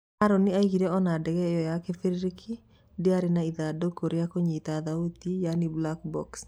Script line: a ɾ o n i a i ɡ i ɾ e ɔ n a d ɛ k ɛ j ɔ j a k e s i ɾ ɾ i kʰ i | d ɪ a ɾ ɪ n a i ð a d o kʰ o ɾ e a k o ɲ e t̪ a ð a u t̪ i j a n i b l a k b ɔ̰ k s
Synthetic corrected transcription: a ɾ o n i a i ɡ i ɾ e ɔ n a d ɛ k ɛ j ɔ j a k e f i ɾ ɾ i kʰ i | d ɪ a ɾ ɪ n a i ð a d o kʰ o ɾ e a k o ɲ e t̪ a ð a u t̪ i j a n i b l a k b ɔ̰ k s